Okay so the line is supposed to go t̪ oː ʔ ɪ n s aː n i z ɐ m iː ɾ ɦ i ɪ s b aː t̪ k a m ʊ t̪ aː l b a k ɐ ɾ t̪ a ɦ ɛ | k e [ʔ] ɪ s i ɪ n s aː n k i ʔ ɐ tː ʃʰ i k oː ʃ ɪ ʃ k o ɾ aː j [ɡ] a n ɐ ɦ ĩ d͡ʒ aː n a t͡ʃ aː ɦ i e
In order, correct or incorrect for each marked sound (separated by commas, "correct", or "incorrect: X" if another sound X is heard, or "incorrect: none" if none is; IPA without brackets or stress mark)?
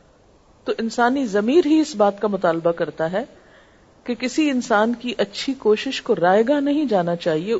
incorrect: k, correct